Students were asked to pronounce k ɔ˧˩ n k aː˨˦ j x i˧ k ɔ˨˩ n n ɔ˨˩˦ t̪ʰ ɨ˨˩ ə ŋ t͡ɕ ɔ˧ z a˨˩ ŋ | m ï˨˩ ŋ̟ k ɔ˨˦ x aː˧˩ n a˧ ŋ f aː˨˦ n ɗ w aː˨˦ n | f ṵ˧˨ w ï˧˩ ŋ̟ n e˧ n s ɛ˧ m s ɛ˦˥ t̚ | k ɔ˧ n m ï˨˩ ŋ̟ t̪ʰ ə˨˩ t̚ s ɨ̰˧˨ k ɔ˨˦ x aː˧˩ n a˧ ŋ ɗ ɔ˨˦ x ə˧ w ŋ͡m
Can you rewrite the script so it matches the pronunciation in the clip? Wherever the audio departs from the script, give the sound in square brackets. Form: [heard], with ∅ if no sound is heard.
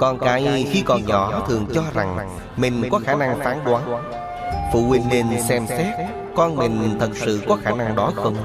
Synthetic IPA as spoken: k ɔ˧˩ n k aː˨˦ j x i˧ k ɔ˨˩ n [ɲ] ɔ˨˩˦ t̪ʰ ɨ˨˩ ə ŋ t͡ɕ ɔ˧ z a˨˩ ŋ | m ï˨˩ ŋ̟ k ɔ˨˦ x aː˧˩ n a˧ ŋ f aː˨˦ n ɗ w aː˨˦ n | f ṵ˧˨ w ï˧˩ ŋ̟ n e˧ n s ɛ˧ m s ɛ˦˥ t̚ | k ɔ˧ n m ï˨˩ ŋ̟ t̪ʰ ə˨˩ t̚ s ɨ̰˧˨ k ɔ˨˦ x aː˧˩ n a˧ ŋ ɗ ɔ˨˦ x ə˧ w ŋ͡m